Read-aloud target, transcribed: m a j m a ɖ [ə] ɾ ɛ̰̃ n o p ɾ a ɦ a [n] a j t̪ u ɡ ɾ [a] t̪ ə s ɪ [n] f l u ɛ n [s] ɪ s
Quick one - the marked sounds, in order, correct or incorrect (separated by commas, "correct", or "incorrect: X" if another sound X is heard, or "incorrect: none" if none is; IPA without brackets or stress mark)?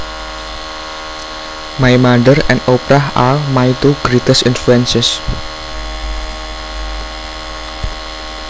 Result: correct, incorrect: m, incorrect: i, correct, correct